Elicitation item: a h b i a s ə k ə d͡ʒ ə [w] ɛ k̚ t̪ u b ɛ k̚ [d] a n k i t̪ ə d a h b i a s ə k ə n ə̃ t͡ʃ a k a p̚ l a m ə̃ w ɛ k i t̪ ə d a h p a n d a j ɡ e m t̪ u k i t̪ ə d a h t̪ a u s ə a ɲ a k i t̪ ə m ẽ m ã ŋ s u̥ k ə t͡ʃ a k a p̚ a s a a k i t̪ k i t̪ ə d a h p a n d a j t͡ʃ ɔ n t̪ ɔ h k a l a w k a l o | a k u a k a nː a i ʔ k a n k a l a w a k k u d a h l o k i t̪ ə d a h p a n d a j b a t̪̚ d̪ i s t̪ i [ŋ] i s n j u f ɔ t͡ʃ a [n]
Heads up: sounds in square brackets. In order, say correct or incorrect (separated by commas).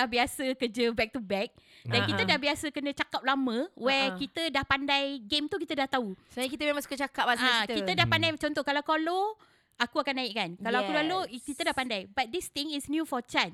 incorrect, correct, correct, correct